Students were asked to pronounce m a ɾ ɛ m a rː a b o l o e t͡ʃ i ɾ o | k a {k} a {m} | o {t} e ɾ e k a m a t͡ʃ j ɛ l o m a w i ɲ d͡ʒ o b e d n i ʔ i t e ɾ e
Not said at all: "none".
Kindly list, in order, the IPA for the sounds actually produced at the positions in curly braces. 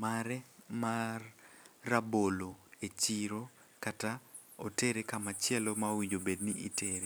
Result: t, none, t

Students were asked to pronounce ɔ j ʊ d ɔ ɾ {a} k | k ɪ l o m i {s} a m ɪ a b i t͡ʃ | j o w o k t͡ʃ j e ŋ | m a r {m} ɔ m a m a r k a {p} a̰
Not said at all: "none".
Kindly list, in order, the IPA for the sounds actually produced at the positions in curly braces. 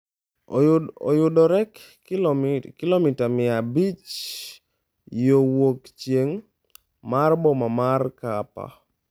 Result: ɛ, t, b, p

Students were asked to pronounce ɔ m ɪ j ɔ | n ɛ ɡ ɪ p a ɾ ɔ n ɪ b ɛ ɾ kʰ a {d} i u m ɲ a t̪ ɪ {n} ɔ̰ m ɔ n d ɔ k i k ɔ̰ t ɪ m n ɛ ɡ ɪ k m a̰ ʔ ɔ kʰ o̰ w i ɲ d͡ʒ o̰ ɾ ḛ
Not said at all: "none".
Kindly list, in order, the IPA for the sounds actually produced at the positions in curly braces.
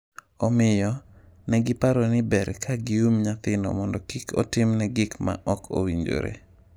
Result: ɡ, n

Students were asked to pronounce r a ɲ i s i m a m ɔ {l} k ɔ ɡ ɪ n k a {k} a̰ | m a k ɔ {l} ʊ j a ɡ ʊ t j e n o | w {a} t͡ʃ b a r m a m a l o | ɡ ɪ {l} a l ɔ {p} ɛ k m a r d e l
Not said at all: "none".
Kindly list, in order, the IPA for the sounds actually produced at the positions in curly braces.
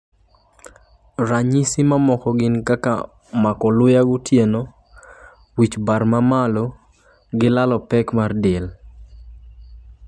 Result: none, k, l, i, l, p

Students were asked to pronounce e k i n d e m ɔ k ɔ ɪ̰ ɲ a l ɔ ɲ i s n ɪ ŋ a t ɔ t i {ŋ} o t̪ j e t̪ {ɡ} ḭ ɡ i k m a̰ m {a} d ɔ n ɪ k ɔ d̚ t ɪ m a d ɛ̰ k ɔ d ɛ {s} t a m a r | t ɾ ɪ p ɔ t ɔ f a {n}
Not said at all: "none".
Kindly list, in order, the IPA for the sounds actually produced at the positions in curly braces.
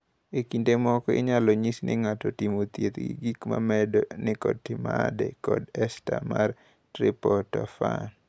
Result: m, ɡ, ɛ, s, n

